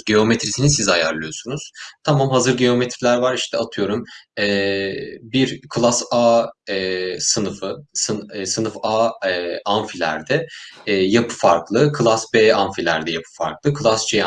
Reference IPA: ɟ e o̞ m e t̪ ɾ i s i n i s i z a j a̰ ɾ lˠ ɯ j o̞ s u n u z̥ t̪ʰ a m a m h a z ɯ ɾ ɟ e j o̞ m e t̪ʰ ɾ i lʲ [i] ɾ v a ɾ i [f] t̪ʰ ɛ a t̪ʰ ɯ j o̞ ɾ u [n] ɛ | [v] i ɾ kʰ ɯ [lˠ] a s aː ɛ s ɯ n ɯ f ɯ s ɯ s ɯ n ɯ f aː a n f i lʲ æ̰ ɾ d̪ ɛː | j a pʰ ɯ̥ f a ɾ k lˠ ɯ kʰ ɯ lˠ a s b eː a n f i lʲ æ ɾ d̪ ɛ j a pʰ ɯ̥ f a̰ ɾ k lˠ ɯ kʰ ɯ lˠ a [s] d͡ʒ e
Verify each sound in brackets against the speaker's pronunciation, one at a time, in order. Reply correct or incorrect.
incorrect, incorrect, incorrect, incorrect, correct, correct

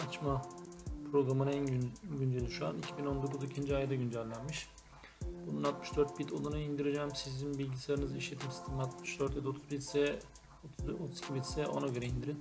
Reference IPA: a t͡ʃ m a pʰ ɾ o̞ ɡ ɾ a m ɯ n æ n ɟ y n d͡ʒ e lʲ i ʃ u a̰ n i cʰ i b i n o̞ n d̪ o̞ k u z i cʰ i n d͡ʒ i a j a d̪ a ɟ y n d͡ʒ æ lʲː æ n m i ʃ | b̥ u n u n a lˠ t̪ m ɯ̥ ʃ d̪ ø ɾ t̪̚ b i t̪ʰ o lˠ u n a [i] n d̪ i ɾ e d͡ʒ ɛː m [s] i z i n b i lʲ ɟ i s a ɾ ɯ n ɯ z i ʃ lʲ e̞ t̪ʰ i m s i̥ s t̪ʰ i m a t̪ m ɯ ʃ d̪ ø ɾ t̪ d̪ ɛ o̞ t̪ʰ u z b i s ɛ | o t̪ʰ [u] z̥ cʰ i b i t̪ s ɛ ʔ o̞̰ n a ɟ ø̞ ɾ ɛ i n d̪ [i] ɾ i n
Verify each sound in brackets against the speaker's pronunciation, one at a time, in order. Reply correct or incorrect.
correct, correct, correct, correct

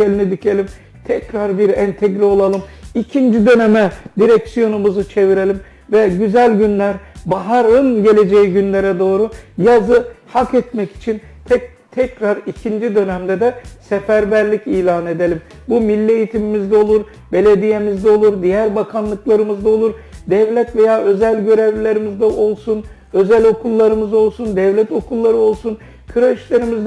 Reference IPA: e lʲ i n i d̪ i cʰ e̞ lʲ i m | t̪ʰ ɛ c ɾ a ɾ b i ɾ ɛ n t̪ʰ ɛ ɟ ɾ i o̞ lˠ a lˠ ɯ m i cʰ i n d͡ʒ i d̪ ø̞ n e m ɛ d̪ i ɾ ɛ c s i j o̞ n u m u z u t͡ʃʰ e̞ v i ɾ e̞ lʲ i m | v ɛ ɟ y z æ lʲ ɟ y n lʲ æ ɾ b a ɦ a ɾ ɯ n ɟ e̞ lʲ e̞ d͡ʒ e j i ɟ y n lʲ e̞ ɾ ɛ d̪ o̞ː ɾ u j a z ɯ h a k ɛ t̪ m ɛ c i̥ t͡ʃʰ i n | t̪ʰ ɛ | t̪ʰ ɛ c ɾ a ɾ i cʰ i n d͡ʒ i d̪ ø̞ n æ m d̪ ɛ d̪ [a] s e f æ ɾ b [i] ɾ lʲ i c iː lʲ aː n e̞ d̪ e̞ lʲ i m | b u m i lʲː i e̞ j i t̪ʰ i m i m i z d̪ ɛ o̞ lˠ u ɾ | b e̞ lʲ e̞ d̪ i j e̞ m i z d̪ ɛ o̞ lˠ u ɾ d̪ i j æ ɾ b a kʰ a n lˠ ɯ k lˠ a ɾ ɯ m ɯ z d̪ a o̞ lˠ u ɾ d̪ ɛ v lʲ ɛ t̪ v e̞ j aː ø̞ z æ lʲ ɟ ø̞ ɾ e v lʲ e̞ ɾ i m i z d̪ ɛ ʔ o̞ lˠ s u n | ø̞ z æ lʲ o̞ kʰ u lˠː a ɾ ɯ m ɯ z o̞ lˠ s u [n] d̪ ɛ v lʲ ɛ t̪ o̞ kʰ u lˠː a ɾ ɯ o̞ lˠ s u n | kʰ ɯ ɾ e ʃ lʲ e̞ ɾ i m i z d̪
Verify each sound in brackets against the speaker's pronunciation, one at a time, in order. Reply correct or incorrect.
incorrect, incorrect, correct

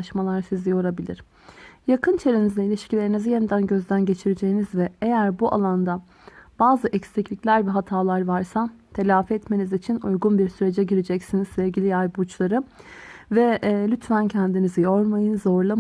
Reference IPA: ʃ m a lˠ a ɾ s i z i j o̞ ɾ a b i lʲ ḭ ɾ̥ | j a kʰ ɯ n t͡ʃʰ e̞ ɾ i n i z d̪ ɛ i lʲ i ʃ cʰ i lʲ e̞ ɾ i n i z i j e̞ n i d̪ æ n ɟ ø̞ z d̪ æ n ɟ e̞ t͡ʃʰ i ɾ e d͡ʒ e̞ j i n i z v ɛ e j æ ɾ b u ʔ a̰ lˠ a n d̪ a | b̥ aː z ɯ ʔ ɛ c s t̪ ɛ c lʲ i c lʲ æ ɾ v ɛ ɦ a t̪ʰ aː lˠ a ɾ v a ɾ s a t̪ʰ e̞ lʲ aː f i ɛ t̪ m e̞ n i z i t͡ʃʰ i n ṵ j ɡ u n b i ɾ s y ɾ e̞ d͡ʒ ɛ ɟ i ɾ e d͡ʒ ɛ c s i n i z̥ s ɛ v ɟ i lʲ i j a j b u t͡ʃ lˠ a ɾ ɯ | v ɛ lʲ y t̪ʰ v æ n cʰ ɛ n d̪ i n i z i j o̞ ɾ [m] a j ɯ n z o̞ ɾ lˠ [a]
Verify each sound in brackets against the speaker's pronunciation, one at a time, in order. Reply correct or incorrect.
correct, correct

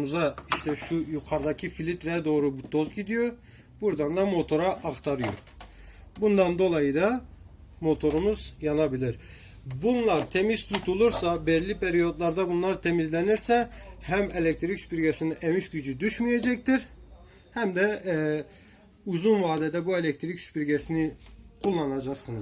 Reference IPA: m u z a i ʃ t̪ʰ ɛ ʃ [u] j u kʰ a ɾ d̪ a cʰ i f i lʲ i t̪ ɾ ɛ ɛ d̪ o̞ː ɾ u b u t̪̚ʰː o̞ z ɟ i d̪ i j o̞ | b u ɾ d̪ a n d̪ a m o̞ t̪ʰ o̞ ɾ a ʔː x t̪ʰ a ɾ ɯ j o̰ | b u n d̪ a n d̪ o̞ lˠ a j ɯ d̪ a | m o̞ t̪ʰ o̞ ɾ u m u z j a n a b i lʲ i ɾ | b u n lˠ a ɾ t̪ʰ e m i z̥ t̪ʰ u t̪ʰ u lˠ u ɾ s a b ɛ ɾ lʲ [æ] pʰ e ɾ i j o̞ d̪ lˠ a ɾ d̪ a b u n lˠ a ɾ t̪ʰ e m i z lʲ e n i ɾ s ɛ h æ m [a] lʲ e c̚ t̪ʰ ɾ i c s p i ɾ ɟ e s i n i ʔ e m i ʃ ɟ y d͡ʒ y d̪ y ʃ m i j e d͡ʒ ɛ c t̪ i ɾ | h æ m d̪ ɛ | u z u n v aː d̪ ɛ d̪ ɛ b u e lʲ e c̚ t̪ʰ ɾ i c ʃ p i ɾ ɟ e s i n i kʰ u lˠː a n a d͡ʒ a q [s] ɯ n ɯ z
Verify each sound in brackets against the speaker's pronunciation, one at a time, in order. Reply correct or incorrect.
correct, incorrect, incorrect, correct

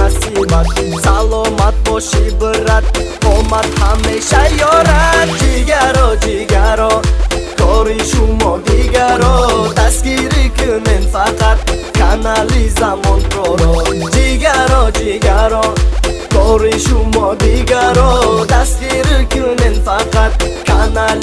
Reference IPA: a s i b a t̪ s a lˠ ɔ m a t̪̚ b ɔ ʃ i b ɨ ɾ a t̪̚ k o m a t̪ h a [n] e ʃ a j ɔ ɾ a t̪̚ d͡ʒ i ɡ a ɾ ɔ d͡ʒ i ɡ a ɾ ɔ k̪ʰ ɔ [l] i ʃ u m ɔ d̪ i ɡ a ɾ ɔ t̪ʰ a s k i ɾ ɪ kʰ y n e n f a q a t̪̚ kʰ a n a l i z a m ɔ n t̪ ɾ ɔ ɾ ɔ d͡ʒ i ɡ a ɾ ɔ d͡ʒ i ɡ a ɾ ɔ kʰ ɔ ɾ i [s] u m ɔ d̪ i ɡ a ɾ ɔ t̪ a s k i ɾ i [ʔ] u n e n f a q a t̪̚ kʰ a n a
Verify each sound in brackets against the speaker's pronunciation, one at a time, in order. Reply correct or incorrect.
incorrect, incorrect, incorrect, incorrect

